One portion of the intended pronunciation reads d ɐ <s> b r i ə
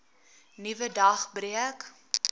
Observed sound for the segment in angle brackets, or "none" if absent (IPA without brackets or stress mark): χ